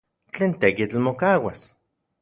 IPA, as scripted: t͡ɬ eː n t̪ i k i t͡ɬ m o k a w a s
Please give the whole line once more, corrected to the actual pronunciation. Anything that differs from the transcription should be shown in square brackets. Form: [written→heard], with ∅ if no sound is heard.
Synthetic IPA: t͡ɬ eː n t̪ [i→e] k i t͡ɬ m o k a w a s